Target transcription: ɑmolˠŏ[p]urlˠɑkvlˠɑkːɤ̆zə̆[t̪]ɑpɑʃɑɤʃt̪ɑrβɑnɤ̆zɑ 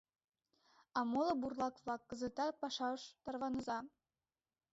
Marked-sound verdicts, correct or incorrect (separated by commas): incorrect, correct